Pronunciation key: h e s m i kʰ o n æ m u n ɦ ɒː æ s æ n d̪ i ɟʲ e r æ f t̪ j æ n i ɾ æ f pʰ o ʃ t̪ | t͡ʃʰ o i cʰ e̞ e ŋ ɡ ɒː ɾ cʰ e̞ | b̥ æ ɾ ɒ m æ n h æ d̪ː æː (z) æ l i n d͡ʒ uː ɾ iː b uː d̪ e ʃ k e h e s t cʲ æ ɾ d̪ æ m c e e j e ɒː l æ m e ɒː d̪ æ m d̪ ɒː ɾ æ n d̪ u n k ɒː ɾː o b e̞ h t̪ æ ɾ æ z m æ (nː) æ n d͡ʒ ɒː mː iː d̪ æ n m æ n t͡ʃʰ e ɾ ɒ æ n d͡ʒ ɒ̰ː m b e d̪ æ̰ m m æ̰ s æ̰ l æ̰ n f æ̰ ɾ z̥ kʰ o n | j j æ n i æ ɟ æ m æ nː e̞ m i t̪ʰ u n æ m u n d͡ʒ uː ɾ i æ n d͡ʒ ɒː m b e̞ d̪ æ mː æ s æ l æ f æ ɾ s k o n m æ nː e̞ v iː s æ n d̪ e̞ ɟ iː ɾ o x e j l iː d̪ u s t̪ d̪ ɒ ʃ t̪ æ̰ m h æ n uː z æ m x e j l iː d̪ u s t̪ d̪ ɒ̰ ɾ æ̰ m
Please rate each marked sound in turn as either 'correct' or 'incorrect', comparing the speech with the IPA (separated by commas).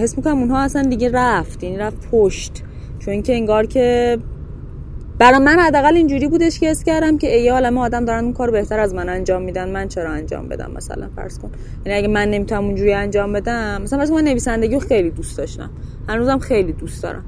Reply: incorrect, incorrect